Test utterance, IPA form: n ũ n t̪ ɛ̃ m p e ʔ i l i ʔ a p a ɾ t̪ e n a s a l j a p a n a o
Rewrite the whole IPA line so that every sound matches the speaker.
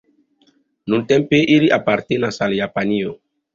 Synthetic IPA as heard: n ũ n t̪ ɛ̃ m p e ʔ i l i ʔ a p a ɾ t̪ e n a s a l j a p a n i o